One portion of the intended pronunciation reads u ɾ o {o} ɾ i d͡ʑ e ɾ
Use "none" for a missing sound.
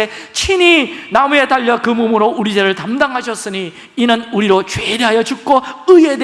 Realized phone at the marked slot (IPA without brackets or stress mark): u